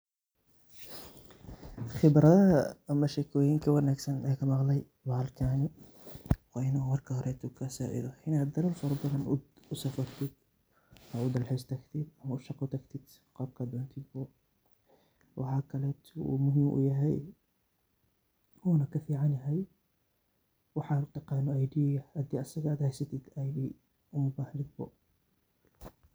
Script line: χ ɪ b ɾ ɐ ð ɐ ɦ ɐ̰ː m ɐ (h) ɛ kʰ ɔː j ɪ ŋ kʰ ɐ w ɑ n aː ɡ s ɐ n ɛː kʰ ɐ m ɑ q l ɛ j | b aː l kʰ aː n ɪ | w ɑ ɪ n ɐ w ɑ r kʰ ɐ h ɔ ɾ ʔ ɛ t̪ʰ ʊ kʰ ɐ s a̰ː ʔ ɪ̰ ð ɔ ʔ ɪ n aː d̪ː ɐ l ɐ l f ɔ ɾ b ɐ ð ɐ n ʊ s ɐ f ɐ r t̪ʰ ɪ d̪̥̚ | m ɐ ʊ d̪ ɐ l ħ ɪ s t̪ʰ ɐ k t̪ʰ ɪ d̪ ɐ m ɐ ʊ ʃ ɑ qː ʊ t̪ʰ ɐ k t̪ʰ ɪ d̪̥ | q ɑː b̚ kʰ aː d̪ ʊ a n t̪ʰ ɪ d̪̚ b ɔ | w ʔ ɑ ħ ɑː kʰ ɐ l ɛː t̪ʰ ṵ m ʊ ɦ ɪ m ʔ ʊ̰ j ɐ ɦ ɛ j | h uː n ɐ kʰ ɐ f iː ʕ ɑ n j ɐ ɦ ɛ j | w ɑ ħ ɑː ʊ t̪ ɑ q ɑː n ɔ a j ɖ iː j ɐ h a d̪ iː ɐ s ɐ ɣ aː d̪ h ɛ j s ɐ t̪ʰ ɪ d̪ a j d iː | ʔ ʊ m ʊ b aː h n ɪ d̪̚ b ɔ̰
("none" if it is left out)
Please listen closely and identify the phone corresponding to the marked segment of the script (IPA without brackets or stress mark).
ʃ